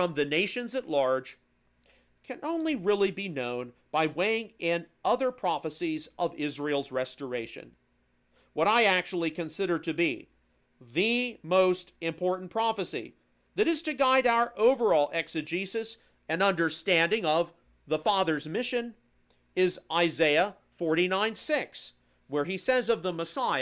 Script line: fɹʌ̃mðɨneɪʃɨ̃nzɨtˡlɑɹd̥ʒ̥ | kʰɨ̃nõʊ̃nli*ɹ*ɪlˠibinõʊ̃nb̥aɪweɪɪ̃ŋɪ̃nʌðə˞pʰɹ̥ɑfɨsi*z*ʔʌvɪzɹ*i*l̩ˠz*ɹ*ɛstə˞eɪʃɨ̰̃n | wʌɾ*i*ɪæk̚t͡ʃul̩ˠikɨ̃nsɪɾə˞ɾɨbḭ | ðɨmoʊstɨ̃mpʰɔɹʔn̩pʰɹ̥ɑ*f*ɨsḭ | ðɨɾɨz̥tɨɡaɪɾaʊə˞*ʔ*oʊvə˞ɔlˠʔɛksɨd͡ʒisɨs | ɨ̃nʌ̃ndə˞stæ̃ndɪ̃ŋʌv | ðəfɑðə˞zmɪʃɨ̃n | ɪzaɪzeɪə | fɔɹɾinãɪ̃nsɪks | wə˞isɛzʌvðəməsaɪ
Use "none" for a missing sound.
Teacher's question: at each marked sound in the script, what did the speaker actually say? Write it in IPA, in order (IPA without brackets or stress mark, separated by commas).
ɹ, z, i, ɹ, a, f, ʔ